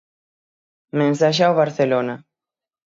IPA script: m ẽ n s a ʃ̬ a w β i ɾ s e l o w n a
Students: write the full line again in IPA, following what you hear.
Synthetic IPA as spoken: m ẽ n s a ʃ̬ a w β a ɾ θ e l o n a